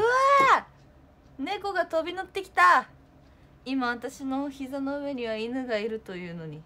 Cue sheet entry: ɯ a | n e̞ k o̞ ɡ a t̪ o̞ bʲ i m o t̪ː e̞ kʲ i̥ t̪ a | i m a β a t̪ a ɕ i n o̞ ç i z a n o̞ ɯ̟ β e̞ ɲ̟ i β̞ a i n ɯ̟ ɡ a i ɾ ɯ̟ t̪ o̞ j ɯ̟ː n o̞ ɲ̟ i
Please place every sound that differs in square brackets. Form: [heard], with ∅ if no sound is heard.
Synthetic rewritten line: ɯ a | n e̞ k o̞ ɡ a t̪ o̞ bʲ i [n] o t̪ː e̞ kʲ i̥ t̪ a | i m a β a t̪ a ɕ i n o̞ ç i z a n o̞ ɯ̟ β e̞ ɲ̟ i β̞ a i n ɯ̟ ɡ a i ɾ ɯ̟ t̪ o̞ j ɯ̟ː n o̞ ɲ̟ i